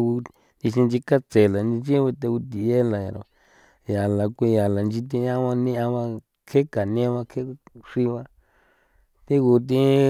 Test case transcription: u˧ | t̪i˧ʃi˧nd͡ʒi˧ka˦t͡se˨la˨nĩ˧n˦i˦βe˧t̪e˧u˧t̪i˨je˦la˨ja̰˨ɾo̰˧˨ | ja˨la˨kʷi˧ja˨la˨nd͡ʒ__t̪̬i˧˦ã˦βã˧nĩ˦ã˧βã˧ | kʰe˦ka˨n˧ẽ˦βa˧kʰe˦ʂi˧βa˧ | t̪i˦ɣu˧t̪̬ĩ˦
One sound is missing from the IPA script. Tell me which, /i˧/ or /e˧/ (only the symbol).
i˧